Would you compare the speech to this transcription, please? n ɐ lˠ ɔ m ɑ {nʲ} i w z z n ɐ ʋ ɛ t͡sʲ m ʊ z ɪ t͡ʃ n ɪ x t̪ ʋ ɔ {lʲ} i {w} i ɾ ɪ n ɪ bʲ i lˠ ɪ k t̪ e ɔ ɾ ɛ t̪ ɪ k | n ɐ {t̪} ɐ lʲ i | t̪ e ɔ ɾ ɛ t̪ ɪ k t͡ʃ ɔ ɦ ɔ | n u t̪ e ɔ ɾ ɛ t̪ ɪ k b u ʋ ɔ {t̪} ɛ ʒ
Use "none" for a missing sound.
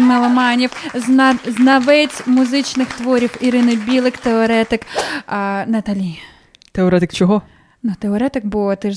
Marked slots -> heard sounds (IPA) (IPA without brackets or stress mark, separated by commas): nʲ, ɾʲ, w, t̪, t̪